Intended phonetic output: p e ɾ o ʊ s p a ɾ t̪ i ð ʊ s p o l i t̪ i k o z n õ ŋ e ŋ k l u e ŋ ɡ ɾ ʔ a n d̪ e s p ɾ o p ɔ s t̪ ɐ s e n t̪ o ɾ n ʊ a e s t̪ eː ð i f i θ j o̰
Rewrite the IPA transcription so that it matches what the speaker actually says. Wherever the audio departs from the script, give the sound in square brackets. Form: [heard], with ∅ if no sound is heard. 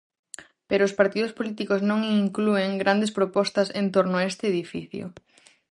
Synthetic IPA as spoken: p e ɾ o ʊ s p a ɾ t̪ i ð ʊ s p o l i t̪ i k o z n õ ŋ [i] ŋ k l u e ŋ ɡ ɾ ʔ a n d̪ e s p ɾ o p ɔ s t̪ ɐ s e n t̪ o ɾ n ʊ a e s t̪ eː ð i f i θ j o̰